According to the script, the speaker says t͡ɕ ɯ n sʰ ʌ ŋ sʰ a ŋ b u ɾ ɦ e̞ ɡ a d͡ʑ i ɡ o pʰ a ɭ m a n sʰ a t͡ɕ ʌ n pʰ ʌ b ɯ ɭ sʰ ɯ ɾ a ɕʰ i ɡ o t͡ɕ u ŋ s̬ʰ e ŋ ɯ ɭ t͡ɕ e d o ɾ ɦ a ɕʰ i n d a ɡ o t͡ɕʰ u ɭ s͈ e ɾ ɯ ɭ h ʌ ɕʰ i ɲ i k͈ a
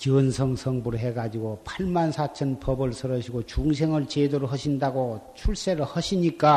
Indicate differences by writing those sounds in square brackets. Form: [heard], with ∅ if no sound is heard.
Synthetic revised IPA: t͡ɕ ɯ n sʰ ʌ ŋ sʰ [ʌ] ŋ b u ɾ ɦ e̞ ɡ a d͡ʑ i ɡ o pʰ a ɭ m a n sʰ a [t͡ɕʰ] ʌ n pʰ ʌ b ɯ ɭ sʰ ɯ ɾ [ʌ] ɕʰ i ɡ o t͡ɕ u ŋ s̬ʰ e ŋ ɯ ɭ t͡ɕ e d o ɾ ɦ [ʌ] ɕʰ i n d a ɡ o t͡ɕʰ u ɭ s͈ e ɾ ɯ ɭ h ʌ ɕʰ i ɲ i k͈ a